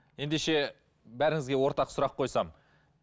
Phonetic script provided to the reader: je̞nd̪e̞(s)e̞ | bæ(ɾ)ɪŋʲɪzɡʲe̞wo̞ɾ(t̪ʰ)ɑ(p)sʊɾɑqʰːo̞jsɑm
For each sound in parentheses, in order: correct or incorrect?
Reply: incorrect: ʃ, correct, incorrect: t̪, incorrect: q

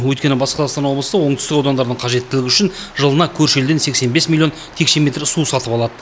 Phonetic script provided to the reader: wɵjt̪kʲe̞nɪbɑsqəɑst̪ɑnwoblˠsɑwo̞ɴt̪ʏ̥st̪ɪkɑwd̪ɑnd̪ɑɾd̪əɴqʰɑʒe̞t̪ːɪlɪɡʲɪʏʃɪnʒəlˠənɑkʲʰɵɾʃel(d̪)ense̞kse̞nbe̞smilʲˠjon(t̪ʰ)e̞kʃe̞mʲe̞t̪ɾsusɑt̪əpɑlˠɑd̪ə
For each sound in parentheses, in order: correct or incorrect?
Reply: correct, correct

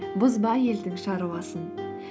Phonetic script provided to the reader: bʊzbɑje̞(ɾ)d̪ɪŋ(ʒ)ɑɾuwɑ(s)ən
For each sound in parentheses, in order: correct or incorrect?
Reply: incorrect: l, incorrect: ʃ, correct

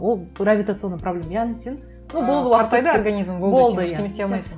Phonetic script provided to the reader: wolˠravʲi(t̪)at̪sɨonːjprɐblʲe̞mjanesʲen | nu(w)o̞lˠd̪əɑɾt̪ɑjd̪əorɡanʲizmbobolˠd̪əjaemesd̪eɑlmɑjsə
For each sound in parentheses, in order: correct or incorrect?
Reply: correct, incorrect: b

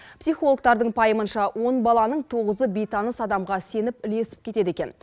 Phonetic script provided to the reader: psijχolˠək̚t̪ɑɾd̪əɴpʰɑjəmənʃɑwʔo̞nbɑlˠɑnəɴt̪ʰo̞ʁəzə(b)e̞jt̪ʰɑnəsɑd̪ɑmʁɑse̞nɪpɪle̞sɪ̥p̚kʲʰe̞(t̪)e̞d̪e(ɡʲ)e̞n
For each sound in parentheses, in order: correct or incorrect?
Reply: correct, correct, incorrect: kʲ

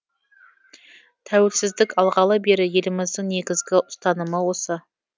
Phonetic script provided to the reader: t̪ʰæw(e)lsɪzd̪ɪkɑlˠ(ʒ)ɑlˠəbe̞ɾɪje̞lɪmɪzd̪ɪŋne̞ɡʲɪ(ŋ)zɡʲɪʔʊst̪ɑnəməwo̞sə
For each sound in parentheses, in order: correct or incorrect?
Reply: correct, incorrect: ʁ, incorrect: none

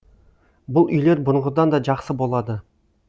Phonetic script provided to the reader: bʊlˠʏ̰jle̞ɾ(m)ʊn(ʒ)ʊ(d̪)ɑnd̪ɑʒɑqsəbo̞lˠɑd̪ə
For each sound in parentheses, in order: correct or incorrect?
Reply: incorrect: b, incorrect: ʁ, correct

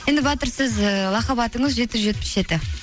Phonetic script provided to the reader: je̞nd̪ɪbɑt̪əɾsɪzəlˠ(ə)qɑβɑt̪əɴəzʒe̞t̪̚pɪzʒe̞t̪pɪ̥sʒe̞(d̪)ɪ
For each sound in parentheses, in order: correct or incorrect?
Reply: incorrect: ɑ, incorrect: t̪

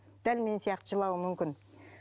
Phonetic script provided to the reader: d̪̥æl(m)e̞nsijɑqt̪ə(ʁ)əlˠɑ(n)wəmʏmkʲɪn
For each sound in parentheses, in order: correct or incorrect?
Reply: correct, incorrect: ʒ, incorrect: none

